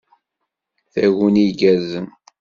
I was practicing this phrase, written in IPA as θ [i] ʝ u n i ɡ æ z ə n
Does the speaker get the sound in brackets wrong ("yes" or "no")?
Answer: yes